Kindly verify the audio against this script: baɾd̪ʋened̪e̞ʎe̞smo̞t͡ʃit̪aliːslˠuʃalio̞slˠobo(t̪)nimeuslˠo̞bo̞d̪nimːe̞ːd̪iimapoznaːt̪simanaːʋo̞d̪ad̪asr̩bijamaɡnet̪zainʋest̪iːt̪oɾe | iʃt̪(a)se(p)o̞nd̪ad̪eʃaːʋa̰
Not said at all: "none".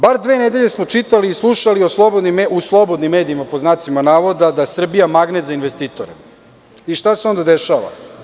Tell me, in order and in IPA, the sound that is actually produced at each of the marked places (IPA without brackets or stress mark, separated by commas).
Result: d̪, a, none